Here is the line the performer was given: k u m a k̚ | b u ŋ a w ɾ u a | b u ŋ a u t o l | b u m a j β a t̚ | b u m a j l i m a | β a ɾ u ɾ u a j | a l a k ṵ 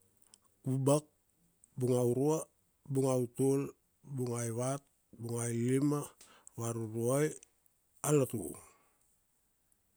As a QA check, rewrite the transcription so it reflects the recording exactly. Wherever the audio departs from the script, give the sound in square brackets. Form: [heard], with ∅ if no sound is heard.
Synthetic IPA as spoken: k u [b] a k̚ | b u ŋ a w ɾ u a | b u ŋ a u t o l | b u [ŋ] a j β a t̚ | b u [ŋ] a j l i m a | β a ɾ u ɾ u a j | a l a [t] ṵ